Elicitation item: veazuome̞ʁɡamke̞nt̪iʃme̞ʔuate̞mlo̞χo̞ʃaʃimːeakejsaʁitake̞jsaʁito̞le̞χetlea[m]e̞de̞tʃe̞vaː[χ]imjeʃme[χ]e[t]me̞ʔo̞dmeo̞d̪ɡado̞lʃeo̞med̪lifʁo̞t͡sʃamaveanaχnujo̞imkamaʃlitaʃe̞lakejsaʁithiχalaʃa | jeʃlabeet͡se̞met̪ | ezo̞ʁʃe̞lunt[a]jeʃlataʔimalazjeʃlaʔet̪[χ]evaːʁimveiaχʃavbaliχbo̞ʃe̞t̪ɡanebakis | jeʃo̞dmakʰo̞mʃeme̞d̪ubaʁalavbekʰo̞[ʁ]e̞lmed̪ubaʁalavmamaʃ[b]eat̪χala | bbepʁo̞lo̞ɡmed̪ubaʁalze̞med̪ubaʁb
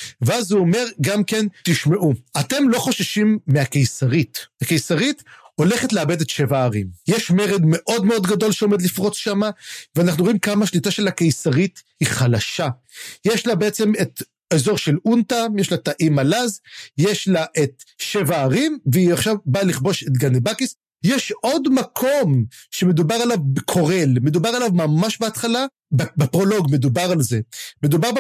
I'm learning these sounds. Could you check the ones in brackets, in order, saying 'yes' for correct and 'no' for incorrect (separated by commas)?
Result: no, no, no, no, yes, no, yes, yes